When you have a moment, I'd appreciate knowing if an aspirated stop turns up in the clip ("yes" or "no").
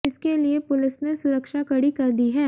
no